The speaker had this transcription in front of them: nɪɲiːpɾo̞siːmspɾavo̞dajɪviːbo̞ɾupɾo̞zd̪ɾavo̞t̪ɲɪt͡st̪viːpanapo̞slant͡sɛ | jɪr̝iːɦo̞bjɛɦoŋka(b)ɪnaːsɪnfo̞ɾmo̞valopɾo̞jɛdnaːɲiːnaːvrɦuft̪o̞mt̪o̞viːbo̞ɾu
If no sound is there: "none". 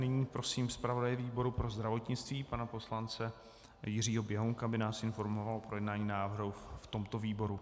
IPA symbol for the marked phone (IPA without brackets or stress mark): b